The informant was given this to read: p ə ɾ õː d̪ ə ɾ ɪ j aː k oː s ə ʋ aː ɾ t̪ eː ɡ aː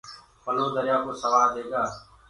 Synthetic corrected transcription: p ə l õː d̪ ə ɾ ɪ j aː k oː s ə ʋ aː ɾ d̪ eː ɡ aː